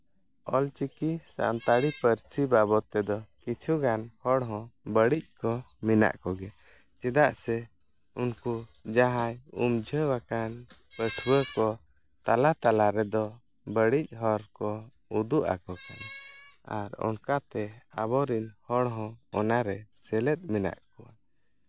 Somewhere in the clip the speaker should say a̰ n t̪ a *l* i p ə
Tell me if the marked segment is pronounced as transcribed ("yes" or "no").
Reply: no